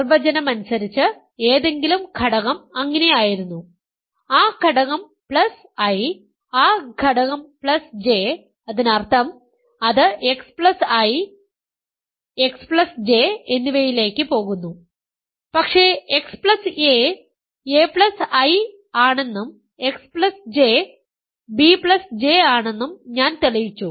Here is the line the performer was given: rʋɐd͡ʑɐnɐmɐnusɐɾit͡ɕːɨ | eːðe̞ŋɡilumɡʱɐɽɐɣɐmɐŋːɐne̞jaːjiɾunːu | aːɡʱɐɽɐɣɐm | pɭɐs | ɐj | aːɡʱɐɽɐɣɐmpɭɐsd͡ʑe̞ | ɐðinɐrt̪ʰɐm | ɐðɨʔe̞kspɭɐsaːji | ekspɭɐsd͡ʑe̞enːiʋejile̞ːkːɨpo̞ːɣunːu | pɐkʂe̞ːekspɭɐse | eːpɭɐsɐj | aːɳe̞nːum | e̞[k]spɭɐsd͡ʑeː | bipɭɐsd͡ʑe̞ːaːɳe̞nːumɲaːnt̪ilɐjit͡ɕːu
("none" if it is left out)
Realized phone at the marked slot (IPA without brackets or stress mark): k